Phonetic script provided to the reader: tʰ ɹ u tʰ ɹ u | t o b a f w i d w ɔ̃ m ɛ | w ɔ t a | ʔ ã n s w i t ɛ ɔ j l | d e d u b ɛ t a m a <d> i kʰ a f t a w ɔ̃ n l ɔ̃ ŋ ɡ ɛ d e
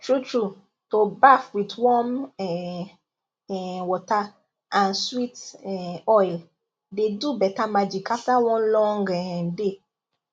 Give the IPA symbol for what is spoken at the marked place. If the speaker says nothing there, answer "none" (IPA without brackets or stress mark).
d͡ʒ